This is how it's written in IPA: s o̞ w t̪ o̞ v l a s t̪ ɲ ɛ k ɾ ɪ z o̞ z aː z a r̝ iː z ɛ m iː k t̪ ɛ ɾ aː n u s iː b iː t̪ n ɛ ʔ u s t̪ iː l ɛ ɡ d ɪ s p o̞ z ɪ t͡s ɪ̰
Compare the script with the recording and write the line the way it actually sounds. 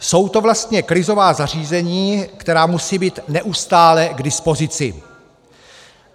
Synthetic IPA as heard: s o̞ w t̪ o̞ v l a s t̪ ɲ ɛ k ɾ ɪ z o̞ v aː z a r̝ iː z ɛ ɲ iː k t̪ ɛ ɾ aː m u s iː b iː t̪ n ɛ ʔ u s t̪ aː l ɛ ɡ d ɪ s p o̞ z ɪ t͡s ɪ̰